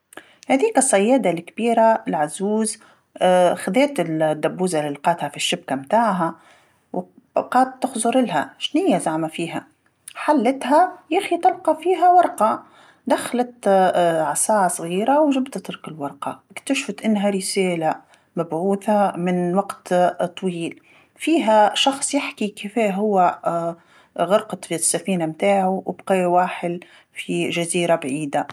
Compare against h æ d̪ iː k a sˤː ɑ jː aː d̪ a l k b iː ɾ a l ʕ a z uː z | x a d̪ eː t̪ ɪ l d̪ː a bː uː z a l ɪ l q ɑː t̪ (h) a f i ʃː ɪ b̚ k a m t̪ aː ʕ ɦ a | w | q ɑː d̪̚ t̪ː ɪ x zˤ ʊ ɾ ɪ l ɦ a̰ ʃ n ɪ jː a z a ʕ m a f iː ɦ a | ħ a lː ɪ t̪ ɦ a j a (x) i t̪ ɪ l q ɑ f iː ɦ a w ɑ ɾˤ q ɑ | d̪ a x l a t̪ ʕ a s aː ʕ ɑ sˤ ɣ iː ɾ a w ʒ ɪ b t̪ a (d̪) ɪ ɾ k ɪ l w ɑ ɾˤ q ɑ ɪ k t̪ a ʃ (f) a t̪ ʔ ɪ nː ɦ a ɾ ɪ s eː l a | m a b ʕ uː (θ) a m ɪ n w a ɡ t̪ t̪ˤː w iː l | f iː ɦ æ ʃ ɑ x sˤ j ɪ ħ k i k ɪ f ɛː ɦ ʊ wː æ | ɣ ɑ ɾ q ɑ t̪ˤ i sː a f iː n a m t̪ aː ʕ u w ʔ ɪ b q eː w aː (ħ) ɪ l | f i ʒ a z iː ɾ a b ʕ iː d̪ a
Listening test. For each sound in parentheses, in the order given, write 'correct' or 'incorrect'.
correct, correct, incorrect: t̪, correct, correct, correct

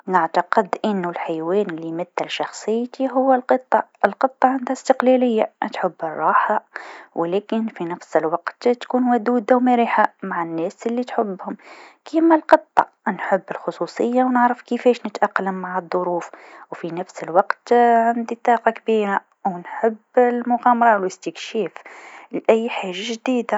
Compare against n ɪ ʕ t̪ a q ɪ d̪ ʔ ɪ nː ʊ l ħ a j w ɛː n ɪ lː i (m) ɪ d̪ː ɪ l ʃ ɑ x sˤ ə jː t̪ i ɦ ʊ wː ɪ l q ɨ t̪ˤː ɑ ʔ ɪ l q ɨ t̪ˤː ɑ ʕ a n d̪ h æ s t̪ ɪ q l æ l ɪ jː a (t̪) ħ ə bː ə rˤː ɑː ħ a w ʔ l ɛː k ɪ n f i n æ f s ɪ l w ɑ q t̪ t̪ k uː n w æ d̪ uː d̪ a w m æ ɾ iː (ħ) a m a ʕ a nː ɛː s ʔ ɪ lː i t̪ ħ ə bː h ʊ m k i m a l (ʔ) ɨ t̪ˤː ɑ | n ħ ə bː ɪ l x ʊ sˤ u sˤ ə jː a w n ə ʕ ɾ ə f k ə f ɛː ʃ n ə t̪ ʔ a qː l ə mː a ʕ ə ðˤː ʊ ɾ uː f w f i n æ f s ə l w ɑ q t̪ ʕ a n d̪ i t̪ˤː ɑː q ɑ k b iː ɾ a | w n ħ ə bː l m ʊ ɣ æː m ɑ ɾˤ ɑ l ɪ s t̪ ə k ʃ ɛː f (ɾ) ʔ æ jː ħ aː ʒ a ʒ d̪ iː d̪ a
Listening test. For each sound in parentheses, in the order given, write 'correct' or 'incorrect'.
correct, correct, correct, incorrect: q, incorrect: l

